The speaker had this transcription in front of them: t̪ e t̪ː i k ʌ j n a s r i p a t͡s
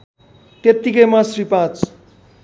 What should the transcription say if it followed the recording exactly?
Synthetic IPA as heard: t̪ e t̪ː i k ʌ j m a s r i p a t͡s